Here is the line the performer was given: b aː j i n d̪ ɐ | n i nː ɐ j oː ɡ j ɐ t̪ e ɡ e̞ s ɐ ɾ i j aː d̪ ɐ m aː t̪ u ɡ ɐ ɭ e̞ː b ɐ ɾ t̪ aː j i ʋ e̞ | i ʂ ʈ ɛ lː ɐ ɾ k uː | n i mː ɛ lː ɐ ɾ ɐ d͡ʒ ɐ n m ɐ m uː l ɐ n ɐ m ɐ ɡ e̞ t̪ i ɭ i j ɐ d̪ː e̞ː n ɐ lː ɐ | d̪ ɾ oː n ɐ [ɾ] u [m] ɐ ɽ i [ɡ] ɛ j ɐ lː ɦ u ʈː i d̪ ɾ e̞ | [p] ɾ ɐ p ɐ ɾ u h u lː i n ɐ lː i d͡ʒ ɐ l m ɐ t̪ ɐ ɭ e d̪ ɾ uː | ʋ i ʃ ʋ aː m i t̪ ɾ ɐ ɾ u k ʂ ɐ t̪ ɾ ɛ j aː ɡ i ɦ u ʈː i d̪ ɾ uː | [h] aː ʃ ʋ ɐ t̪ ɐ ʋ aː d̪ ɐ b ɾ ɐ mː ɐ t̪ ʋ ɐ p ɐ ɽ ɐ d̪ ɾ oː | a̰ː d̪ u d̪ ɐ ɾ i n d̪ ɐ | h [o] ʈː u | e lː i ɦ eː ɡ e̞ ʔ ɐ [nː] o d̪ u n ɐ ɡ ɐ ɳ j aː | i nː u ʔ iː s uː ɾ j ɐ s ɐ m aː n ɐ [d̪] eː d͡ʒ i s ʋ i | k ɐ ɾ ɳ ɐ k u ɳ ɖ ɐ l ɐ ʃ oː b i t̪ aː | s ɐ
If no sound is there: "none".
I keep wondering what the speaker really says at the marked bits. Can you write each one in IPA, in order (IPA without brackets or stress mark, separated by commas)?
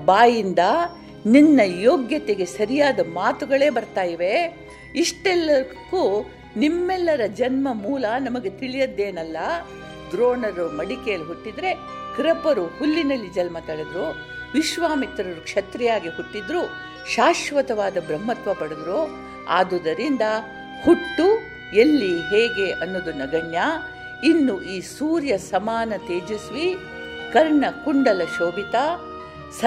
ɾ, m, k, k, ʃ, u, nː, t̪